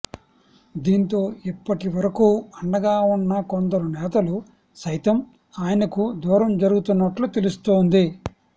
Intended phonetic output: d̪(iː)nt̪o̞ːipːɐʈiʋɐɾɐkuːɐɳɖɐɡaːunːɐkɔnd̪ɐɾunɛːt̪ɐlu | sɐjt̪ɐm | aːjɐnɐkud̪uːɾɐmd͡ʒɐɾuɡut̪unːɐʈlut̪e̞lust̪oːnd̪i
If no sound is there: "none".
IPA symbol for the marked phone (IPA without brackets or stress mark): iː